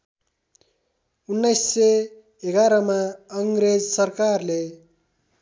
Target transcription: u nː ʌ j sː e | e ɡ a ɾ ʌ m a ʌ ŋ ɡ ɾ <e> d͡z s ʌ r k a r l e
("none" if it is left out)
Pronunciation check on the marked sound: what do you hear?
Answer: e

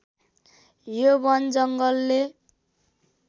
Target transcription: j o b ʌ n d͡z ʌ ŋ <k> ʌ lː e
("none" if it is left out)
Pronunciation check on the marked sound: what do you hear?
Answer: ɡ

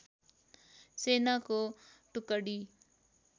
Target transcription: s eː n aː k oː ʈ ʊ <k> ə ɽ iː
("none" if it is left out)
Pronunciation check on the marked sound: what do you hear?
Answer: k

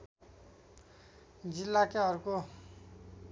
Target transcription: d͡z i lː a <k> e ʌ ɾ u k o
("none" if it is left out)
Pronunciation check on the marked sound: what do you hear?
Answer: k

